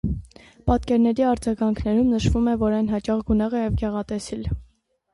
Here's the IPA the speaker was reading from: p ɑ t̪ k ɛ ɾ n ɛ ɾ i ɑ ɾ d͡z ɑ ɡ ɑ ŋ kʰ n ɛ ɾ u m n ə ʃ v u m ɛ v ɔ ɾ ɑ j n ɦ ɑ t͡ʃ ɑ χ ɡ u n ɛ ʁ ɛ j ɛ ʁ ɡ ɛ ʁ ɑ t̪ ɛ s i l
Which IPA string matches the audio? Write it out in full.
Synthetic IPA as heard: p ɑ t̪ k ɛ ɾ n ɛ ɾ i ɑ ɾ d͡z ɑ ɡ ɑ ŋ kʰ n ɛ ɾ u m n ə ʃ v u m ɛ v ɔ ɾ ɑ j n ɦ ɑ t͡ʃ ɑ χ ɡ u n ɛ ʁ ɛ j ɛ v ɡ ɛ ʁ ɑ t̪ ɛ s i l